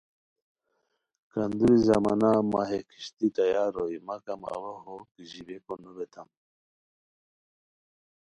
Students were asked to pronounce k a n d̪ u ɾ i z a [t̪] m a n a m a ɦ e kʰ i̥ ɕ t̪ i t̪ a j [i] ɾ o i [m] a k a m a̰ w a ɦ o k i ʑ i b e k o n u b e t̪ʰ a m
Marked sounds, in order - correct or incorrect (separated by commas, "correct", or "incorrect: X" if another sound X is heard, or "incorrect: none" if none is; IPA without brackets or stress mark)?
incorrect: none, incorrect: a, correct